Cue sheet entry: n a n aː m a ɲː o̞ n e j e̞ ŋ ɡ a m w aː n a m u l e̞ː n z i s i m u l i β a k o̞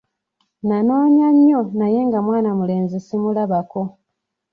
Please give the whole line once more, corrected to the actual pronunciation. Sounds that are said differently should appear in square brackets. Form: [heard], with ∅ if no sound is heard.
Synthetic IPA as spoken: n a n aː [ɲ] a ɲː o̞ n [a] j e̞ ŋ ɡ a m w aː n a m u l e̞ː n z i s i m u l [a] β a k o̞